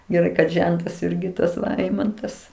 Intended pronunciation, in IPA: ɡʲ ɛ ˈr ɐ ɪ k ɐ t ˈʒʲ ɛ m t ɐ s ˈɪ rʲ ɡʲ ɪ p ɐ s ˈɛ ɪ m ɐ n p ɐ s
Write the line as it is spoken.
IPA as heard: ɡʲ ɛ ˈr ɐ ɪ k ɐ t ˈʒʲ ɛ n t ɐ s ˈɪ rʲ ɡʲ ɪ t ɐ s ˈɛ ɪ m ɐ n t ɐ s

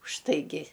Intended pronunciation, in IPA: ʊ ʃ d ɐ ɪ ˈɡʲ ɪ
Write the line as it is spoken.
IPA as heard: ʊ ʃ t ɐ ɪ ˈɡʲ ɪ

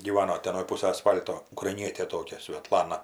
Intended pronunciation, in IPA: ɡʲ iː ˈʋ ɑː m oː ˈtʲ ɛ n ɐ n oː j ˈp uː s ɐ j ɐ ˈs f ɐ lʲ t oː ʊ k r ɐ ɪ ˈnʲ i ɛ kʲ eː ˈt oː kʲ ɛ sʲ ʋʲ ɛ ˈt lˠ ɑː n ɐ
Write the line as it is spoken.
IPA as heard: ɡʲ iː ˈʋ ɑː n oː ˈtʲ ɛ n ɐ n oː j ˈp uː s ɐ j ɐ ˈs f ɐ lʲ t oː ʊ k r ɐ ɪ ˈnʲ i ɛ tʲ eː ˈt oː kʲ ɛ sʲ ʋʲ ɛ ˈt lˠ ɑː n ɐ

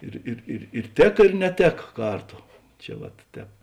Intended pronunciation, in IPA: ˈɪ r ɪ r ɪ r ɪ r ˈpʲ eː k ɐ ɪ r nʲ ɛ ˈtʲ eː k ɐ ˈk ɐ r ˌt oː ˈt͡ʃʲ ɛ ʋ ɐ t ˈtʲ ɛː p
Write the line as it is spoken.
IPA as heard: ˈɪ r ɪ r ɪ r ɪ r ˈtʲ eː k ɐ ɪ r nʲ ɛ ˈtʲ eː k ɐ ˈk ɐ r ˌt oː ˈt͡ʃʲ ɛ ʋ ɐ t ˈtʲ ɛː p

